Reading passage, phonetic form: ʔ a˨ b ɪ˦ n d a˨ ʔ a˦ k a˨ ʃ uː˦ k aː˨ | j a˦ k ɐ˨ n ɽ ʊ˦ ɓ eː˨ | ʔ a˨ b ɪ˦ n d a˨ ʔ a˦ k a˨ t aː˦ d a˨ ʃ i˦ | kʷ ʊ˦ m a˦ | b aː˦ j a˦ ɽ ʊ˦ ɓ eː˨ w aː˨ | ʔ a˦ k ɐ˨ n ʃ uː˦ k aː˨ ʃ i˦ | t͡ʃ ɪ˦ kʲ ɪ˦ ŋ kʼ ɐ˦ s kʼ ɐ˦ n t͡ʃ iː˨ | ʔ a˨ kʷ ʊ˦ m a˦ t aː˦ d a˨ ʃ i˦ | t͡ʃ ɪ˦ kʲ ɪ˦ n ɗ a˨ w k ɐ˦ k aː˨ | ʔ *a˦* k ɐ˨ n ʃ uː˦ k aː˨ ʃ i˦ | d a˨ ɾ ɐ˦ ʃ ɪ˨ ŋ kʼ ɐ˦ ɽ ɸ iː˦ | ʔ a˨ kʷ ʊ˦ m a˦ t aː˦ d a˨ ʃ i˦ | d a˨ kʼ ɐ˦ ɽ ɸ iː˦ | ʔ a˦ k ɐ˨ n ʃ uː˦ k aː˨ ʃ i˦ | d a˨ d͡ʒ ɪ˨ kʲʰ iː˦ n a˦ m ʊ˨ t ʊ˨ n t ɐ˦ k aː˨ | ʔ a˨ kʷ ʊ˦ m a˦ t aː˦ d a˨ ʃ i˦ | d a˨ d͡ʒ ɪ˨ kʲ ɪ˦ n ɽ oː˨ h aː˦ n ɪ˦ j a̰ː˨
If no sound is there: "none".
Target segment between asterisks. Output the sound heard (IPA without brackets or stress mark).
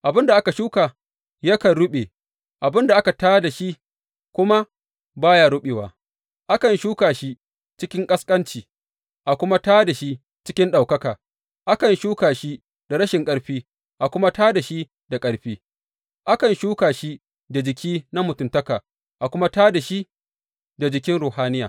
a˦